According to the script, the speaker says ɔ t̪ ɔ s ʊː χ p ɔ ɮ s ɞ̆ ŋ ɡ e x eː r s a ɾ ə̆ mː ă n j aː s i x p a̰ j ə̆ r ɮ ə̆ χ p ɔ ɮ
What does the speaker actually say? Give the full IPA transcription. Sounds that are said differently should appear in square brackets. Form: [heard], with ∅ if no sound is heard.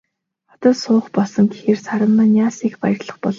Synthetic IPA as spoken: ɔ t̪ [ɔː] s ʊː χ p ɔ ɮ s ɞ̆ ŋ ɡ e x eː r s a ɾ ə̆ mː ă n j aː s i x p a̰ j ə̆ r ɮ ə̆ χ p ɔ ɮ